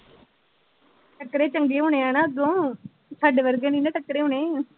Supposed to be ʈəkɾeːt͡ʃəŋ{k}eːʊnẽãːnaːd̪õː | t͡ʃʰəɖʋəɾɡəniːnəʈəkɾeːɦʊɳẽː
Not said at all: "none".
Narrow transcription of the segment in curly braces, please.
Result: ɡ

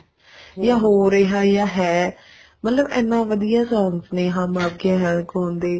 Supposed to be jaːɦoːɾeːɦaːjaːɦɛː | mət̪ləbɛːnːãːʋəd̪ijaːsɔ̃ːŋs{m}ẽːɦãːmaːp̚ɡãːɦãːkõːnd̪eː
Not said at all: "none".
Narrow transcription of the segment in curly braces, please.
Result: n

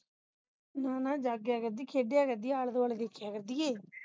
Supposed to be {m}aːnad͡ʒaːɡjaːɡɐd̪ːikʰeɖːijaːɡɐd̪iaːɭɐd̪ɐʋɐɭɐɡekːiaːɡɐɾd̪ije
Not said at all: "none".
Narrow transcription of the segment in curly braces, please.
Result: n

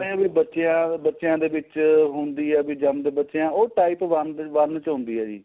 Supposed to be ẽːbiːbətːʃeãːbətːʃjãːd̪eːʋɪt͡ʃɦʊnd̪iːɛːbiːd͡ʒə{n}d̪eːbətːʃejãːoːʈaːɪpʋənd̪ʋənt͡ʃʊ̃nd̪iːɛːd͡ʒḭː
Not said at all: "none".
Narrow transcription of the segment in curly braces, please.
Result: m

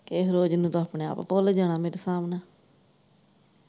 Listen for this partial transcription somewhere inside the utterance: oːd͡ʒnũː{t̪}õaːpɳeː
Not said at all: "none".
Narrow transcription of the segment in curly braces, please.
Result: t̪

